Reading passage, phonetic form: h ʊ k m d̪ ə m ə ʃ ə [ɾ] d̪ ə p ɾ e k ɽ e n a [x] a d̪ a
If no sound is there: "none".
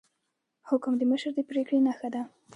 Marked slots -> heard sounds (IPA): ɾ, x

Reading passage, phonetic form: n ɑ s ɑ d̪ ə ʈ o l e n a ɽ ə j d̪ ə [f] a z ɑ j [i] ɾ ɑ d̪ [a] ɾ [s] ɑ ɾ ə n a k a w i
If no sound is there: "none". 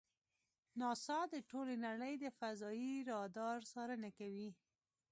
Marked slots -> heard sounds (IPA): f, i, ɑ, s

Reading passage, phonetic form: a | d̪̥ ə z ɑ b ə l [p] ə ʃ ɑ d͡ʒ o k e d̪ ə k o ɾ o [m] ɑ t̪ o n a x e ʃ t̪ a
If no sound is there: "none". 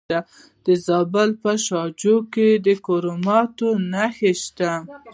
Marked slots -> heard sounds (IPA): p, m

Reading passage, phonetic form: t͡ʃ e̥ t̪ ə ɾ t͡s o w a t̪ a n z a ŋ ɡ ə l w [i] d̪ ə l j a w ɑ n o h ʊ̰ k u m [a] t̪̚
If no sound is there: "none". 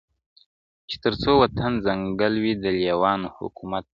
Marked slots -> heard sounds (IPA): i, a

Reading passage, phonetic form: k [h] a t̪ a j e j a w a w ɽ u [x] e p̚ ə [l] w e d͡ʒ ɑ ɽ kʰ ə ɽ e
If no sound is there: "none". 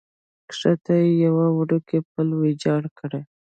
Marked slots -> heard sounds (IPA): ʂ, k, l

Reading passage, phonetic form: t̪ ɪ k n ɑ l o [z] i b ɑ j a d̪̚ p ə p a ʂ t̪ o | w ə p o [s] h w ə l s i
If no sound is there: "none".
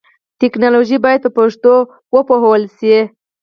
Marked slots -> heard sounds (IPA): ʒ, none

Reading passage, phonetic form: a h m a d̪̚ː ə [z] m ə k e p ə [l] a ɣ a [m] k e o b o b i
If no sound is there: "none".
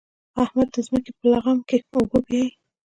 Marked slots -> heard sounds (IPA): z, l, m

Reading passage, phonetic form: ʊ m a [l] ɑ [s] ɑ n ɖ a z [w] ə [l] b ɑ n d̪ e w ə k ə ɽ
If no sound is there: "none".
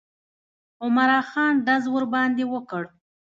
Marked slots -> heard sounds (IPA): ɾ, x, w, ɾ

